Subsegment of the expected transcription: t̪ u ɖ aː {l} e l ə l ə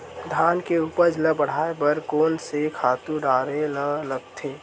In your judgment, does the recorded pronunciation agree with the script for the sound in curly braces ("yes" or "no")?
no